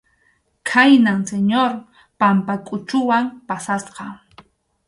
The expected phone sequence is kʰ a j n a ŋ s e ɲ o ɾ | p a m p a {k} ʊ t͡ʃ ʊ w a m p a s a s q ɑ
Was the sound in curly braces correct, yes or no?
no